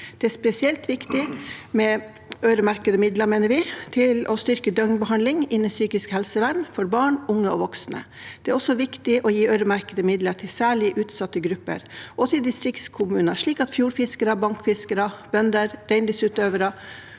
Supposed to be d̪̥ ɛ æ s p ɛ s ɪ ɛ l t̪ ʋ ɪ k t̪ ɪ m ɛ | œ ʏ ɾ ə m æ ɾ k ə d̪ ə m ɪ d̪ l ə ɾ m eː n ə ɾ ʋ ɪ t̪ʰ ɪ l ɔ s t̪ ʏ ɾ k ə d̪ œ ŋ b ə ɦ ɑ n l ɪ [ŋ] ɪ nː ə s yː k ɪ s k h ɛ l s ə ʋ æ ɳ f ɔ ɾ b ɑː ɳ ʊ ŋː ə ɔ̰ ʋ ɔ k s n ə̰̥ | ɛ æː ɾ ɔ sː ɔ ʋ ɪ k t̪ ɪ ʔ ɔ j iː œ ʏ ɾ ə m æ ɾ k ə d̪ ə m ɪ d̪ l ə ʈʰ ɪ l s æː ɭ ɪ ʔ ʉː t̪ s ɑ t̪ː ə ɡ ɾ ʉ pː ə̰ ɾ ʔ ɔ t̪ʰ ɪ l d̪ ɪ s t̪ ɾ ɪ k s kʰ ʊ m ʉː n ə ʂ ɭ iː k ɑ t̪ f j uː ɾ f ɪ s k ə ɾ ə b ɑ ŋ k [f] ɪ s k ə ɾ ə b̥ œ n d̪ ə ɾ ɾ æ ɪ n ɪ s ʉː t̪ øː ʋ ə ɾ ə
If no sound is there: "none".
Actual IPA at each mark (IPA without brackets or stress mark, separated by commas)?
ŋ, f